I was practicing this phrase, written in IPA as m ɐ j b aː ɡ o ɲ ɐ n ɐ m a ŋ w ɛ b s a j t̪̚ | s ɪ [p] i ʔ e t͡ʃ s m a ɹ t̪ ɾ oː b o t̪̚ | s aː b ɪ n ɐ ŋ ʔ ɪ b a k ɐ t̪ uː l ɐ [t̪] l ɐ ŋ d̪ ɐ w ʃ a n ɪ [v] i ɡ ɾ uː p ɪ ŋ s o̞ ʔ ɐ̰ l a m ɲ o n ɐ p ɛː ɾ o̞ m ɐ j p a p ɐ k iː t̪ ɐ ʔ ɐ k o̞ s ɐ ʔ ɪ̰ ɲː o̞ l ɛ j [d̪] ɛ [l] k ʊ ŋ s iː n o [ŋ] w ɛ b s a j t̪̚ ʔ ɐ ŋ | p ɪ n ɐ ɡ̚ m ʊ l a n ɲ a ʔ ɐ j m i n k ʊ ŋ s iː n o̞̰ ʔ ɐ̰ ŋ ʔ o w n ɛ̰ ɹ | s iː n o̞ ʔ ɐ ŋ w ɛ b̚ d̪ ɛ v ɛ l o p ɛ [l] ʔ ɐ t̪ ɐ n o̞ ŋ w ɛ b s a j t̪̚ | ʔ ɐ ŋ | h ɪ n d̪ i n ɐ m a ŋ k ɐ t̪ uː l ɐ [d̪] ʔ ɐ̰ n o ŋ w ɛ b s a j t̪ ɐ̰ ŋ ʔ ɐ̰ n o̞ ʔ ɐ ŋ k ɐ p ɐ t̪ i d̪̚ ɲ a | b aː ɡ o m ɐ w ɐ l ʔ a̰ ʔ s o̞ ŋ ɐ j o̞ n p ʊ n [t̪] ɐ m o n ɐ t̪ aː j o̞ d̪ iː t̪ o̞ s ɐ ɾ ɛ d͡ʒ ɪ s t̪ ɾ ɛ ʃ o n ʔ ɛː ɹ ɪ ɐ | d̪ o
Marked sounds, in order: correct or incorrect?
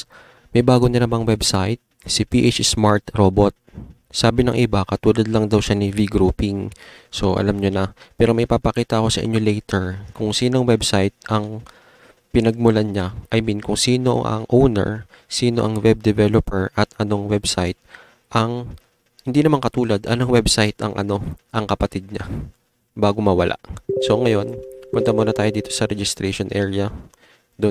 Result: correct, incorrect, correct, incorrect, incorrect, correct, incorrect, correct, correct

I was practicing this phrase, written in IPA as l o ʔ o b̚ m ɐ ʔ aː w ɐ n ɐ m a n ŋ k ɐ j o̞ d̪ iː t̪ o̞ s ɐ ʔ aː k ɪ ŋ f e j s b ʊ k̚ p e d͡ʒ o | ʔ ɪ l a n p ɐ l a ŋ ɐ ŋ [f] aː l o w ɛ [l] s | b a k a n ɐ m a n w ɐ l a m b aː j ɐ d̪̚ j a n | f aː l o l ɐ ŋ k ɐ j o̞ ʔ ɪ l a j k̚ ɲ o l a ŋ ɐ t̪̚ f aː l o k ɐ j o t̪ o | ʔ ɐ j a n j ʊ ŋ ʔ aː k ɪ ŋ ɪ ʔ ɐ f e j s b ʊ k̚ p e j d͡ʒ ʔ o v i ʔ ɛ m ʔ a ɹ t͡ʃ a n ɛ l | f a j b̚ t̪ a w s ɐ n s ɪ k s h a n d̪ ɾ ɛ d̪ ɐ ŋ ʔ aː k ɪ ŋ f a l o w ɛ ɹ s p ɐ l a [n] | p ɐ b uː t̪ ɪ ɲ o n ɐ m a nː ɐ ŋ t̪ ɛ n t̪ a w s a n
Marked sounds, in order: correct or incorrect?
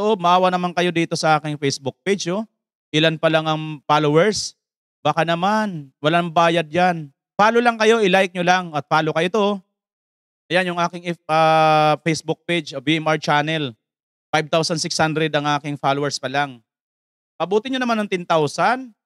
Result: correct, incorrect, incorrect

